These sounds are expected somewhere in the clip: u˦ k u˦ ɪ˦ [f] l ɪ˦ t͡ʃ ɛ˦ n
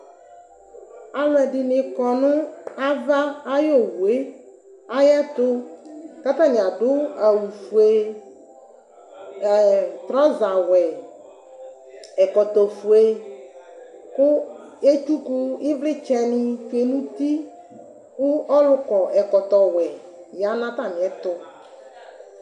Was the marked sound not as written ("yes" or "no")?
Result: yes